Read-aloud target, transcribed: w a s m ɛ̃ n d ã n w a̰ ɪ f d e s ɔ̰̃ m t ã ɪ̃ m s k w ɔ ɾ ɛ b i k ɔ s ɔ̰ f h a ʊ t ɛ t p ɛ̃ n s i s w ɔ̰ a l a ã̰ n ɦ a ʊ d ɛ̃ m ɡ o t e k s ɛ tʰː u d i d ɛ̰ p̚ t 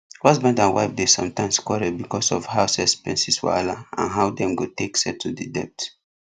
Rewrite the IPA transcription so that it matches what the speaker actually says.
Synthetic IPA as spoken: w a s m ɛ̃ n d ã n w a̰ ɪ f d e s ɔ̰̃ m t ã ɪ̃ m s k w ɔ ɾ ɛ b i k ɔ s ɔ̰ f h a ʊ s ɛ s p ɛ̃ n s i s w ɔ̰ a l a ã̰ n ɦ a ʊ d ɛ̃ m ɡ o t e k s ɛ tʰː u d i d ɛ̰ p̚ t